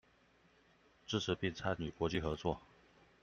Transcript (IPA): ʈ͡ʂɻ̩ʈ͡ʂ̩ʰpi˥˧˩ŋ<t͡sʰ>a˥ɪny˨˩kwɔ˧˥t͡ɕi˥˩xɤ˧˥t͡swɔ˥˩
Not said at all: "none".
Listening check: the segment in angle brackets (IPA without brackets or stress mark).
t͡sʰ